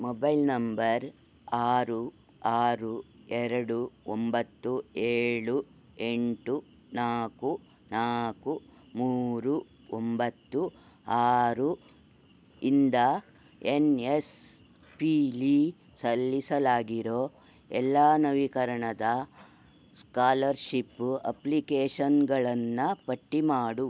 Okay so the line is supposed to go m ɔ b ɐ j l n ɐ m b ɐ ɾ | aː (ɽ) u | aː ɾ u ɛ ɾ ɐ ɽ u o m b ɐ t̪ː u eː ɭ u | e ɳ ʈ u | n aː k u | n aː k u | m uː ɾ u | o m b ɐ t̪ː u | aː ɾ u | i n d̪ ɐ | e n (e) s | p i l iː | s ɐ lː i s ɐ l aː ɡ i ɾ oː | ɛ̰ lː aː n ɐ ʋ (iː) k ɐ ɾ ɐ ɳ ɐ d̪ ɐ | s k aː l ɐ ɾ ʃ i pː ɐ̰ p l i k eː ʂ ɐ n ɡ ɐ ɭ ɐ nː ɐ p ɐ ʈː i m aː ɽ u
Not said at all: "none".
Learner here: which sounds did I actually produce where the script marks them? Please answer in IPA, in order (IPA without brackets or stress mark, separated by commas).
ɾ, e, i